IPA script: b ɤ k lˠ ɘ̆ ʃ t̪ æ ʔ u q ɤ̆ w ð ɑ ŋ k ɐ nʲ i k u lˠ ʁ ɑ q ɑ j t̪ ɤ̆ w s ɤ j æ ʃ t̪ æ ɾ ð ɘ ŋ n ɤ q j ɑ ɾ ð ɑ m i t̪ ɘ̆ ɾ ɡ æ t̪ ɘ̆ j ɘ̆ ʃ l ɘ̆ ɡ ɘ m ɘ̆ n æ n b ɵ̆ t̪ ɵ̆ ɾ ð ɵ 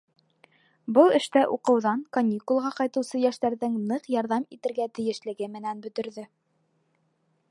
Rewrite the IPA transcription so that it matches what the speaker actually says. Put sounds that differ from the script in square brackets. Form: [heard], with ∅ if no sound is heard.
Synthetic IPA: b ɤ [∅] lˠ ɘ̆ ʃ t̪ æ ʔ u q ɤ̆ w ð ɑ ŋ k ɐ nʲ i k u lˠ ʁ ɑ q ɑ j t̪ ɤ̆ w s ɤ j æ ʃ t̪ æ ɾ ð ɘ ŋ n ɤ q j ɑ ɾ ð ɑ m i t̪ ɘ̆ ɾ ɡ æ t̪ ɘ̆ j ɘ̆ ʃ l ɘ̆ ɡ ɘ m ɘ̆ n æ n b ɵ̆ t̪ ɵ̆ ɾ ð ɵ